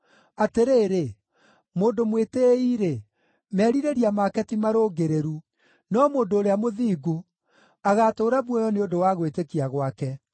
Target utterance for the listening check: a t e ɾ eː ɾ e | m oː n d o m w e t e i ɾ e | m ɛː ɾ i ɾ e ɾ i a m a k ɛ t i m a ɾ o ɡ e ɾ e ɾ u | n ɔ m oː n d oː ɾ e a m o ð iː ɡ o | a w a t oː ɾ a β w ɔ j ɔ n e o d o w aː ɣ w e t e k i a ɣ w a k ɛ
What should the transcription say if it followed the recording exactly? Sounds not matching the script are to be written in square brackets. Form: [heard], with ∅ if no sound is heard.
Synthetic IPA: a t e ɾ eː ɾ e | m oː n d o m w e t e i ɾ e | m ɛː ɾ i ɾ e ɾ i a m a k ɛ t i m a ɾ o ɡ e ɾ e ɾ u | n ɔ m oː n d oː ɾ e a m o ð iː ɡ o | a [ɣ] a t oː ɾ a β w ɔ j ɔ n e o d o w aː ɣ w e t e k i a ɣ w a k ɛ